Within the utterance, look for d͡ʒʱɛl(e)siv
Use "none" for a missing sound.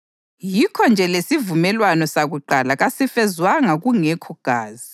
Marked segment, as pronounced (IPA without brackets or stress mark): e